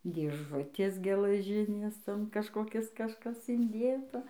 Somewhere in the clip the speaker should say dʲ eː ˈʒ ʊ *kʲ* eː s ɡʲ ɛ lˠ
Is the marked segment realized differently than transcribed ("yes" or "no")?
yes